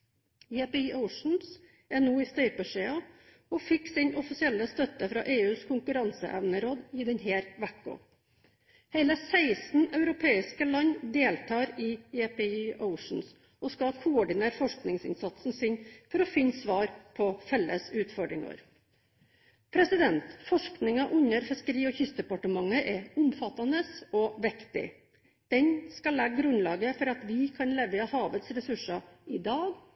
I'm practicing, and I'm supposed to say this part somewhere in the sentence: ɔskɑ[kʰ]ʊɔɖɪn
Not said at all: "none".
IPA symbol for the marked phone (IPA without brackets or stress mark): kʰ